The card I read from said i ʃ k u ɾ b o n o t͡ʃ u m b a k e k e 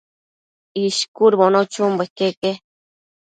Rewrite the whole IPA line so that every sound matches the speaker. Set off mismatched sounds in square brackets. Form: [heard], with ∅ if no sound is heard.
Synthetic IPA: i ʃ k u ɾ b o n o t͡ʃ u m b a k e k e